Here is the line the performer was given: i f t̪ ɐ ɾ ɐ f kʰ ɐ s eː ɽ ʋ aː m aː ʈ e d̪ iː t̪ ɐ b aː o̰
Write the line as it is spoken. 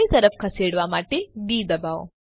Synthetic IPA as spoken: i t̪ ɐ ɾ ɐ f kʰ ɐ s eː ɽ ʋ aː m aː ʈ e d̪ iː d̪ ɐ b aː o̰